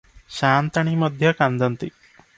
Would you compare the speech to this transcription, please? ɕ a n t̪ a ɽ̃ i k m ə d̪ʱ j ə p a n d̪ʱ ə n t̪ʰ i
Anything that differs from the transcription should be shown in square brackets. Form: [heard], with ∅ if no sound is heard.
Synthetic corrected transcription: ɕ a n t̪ a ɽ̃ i [∅] m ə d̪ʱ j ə [k] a n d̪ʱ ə n [t̪] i